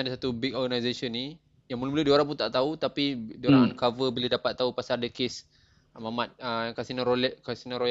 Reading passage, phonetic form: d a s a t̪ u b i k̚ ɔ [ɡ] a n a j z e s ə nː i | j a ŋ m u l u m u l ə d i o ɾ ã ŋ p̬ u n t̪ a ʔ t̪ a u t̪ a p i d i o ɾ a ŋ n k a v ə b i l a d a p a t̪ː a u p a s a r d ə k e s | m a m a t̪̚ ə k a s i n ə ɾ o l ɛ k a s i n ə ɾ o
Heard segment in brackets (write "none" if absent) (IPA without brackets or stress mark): ɡ